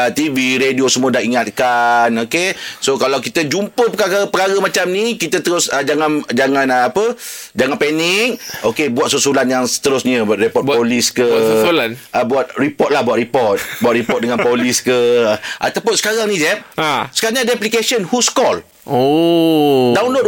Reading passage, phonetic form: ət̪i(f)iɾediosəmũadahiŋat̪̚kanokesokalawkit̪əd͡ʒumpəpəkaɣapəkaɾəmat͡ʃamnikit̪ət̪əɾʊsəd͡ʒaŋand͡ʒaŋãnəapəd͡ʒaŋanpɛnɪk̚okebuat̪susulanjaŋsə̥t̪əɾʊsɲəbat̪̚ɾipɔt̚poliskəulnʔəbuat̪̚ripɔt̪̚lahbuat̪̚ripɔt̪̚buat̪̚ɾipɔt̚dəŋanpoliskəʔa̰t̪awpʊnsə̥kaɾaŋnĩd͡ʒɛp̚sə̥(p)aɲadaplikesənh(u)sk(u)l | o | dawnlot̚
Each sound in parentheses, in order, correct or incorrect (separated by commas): incorrect, incorrect, correct, incorrect